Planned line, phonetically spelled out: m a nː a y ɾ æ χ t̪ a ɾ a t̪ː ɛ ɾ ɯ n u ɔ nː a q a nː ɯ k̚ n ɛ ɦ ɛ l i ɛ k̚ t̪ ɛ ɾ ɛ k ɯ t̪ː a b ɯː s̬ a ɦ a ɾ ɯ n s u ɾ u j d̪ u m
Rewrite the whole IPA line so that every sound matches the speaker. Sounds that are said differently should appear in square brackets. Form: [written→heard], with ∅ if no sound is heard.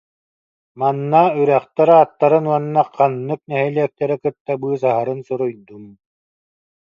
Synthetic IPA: m a nː a y ɾ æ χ t̪ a ɾ a t̪ː [ɛ→a] ɾ ɯ n u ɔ nː a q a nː ɯ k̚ n ɛ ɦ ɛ l i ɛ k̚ t̪ ɛ ɾ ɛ k ɯ t̪ː a b ɯː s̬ a ɦ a ɾ ɯ n s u ɾ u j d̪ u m

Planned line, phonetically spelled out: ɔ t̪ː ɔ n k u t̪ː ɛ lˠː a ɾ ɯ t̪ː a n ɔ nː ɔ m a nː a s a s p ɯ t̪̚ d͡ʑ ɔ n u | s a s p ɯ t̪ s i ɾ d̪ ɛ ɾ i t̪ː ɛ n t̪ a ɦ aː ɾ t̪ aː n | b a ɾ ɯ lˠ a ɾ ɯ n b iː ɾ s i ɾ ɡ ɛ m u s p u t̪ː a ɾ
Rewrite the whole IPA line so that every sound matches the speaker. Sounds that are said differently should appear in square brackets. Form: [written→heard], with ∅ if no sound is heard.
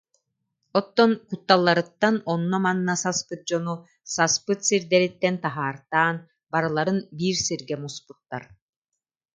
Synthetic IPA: ɔ t̪ː ɔ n k u t̪ː [ɛ→a] lˠː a ɾ ɯ t̪ː a n ɔ nː ɔ m a nː a s a s p ɯ t̪̚ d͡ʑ ɔ n u | s a s p ɯ t̪ s i ɾ d̪ ɛ ɾ i t̪ː ɛ n t̪ a ɦ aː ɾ t̪ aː n | b a ɾ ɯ lˠ a ɾ ɯ n b iː ɾ s i ɾ ɡ ɛ m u s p u t̪ː a ɾ

